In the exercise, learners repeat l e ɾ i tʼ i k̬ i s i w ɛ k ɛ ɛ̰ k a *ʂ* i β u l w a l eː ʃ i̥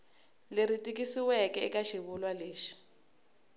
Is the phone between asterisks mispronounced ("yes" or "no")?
yes